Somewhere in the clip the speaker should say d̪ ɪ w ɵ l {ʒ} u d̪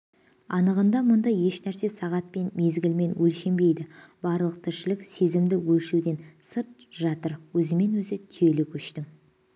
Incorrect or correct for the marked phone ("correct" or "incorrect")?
incorrect